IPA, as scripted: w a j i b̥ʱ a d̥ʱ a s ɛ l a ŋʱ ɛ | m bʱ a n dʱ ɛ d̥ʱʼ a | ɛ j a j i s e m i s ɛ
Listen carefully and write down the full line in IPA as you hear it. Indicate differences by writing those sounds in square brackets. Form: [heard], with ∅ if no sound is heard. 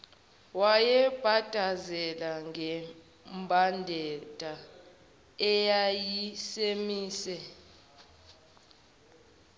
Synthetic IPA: w a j [ɛ] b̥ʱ a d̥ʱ a [z] ɛ l a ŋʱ ɛ | m bʱ a n dʱ ɛ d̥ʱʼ a | ɛ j a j i s e m [iː] s ɛ